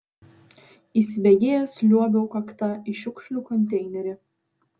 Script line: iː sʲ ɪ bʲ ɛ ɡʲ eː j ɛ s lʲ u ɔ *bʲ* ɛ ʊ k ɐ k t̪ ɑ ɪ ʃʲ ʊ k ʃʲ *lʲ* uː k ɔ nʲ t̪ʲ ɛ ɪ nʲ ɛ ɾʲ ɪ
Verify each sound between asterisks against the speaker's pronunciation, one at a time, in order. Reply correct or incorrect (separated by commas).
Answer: correct, correct